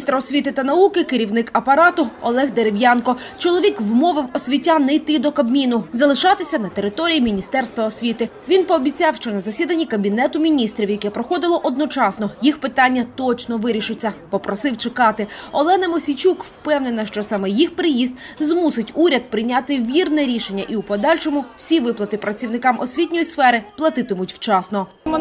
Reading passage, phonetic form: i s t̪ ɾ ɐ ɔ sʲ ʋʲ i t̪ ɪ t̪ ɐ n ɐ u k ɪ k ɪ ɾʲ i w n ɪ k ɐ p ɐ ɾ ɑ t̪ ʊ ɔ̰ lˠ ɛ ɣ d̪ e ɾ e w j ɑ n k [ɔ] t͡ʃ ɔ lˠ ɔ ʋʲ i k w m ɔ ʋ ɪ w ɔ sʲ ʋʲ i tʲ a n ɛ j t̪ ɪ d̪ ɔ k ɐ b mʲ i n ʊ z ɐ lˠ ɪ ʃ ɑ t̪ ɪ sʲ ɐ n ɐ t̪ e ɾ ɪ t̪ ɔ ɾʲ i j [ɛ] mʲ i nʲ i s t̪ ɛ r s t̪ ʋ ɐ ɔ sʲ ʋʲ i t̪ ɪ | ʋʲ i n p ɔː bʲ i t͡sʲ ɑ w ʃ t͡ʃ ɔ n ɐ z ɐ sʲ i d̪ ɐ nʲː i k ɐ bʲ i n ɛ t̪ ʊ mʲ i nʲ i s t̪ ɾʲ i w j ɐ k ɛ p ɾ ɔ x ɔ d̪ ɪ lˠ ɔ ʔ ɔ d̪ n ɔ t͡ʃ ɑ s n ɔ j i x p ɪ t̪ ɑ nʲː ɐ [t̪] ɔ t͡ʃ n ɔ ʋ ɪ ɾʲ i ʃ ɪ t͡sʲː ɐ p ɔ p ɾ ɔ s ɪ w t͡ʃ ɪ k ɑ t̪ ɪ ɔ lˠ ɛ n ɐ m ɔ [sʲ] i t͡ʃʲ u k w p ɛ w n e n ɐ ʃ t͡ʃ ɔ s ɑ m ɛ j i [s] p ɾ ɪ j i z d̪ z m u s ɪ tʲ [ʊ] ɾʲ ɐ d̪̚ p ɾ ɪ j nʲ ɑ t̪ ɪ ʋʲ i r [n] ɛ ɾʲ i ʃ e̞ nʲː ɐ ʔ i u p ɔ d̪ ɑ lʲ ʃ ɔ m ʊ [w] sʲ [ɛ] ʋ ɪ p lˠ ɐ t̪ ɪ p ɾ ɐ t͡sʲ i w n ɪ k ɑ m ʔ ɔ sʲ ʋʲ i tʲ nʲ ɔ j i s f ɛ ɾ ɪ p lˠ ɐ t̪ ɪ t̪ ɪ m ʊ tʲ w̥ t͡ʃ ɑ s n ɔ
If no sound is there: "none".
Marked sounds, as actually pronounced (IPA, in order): ɔ, i, t̪, sʲ, x, u, n, w, i

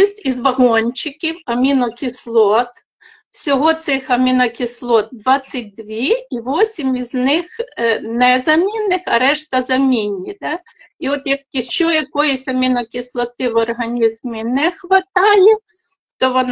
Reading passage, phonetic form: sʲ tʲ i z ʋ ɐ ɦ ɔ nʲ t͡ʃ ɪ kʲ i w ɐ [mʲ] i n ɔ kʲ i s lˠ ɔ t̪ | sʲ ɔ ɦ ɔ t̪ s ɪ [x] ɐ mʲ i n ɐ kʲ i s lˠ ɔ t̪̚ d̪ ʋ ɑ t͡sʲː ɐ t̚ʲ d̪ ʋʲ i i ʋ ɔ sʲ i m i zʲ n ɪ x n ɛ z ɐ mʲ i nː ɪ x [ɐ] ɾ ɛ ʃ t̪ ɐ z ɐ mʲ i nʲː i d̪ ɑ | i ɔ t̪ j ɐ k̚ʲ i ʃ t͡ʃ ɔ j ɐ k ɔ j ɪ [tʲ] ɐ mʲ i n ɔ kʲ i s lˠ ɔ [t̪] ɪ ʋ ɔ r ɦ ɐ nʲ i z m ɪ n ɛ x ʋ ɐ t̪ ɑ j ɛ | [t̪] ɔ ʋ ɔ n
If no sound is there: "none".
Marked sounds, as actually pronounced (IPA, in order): mʲ, x, ɐ, sʲ, t̪, t̪

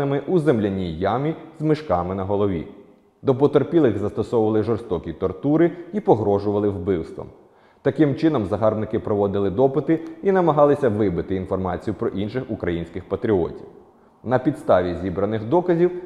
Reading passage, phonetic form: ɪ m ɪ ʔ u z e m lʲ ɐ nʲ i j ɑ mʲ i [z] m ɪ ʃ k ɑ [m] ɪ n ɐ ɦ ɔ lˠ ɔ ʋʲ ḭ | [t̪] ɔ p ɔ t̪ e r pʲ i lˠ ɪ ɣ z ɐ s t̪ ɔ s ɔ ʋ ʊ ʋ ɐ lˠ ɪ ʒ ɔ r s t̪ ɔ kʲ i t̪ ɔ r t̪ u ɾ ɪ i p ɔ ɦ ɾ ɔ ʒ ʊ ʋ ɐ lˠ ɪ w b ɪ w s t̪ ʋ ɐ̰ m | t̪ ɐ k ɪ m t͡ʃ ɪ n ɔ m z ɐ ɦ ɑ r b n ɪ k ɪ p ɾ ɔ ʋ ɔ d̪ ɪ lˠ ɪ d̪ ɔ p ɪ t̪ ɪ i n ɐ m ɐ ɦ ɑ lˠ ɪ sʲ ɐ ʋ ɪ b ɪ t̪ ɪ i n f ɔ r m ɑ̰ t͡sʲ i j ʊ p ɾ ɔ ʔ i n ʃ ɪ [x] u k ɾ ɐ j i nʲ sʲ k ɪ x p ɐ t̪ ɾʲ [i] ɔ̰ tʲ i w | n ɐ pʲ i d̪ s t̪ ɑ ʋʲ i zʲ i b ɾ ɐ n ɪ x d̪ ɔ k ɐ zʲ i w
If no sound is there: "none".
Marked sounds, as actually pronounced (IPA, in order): z, m, d̪, x, i

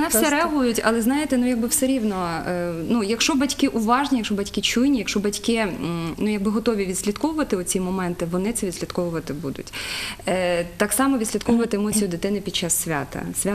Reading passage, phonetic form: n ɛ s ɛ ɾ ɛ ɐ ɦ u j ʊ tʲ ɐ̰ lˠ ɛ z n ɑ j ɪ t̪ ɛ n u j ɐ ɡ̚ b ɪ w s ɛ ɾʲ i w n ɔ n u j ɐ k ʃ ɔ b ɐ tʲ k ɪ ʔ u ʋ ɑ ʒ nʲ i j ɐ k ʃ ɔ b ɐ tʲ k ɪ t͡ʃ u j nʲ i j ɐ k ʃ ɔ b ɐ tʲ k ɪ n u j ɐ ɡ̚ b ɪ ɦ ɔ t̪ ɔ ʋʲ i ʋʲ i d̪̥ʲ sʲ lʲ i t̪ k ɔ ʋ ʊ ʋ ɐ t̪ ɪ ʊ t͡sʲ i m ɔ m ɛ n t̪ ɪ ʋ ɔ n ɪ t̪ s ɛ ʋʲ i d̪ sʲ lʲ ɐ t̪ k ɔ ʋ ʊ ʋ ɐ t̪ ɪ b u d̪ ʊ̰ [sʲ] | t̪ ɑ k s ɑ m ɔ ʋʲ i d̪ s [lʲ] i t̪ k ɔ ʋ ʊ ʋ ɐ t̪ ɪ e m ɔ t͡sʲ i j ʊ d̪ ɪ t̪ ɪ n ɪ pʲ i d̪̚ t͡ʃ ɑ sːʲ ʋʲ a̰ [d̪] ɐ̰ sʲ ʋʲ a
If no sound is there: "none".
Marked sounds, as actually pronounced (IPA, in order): tʲ, lʲ, t̪

